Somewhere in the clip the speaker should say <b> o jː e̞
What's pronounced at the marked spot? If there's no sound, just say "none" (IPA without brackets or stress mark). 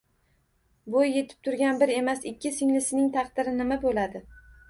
b